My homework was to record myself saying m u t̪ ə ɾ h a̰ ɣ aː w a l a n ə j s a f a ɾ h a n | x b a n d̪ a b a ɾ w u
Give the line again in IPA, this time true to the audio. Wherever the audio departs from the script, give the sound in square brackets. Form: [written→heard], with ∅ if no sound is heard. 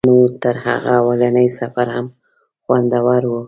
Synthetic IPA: m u t̪ ə ɾ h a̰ ɣ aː w a l a n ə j s a f a ɾ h a [n→m] | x [b→w] a n d̪ a [b→w] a ɾ w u